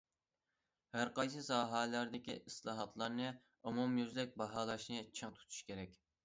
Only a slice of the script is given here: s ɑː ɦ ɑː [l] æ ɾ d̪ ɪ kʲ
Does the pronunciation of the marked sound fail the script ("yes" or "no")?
no